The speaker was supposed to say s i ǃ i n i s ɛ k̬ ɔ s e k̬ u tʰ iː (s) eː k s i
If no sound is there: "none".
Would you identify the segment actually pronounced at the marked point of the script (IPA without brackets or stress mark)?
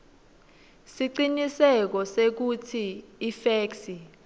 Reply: f